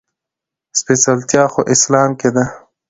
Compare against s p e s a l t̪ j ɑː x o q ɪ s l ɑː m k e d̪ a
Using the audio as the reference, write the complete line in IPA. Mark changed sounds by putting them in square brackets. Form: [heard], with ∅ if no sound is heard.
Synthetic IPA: s p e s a l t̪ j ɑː x o [ʔ] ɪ s l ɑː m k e d̪ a